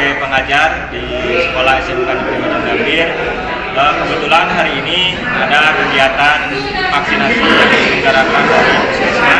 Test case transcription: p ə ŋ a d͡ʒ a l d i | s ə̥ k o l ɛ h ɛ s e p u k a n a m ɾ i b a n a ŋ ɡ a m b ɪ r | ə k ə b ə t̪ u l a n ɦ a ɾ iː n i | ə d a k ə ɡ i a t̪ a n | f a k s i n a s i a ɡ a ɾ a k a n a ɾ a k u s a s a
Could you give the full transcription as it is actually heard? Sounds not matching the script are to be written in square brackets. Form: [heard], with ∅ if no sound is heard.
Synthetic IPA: p ə ŋ a d͡ʒ a [r] d i | s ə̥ k o l [a] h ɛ s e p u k a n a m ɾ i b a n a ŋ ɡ a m b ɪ r | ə k ə b ə t̪ u l a n ɦ a ɾ iː n i | [a] d a k ə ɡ i a t̪ a n | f a k s i n a s i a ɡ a ɾ a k a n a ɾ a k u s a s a